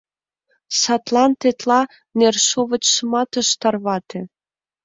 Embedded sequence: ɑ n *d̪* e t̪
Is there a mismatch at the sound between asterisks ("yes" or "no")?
yes